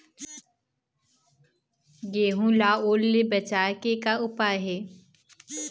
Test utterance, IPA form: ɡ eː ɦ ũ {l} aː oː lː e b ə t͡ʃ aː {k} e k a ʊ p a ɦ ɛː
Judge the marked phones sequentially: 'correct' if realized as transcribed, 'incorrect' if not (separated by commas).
correct, correct